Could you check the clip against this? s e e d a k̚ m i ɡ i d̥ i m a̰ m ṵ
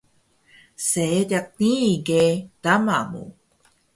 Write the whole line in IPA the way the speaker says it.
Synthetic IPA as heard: s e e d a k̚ n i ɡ e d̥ a m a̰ m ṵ